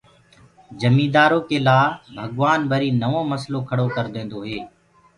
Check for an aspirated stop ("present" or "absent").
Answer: present